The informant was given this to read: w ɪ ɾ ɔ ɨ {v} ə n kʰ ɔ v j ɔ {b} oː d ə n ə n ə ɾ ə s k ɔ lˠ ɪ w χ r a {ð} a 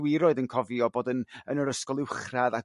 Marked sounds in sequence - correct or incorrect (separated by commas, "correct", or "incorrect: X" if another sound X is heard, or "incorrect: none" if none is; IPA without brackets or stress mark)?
incorrect: ð, correct, correct